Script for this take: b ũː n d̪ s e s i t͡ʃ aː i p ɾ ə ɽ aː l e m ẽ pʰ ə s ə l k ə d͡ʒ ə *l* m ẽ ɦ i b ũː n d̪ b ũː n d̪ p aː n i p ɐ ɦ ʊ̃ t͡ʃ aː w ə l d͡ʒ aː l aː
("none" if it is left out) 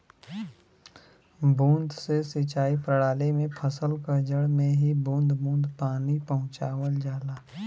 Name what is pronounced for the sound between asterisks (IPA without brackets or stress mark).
ɽ